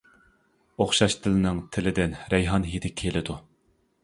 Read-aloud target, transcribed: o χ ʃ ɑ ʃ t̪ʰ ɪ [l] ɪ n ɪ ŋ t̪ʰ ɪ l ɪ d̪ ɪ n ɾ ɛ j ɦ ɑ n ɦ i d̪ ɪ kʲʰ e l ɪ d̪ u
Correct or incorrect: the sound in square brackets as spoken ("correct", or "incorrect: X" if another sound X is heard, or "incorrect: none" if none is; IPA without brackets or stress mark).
correct